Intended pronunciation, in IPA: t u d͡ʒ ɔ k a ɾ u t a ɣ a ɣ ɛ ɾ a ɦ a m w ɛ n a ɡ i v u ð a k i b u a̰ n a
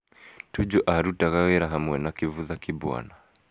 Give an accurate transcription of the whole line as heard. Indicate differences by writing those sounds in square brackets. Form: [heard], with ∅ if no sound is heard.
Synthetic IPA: t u d͡ʒ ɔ [ʔ] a ɾ u t a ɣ a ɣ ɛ ɾ a ɦ a m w ɛ n a [k] i v u ð a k i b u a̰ n a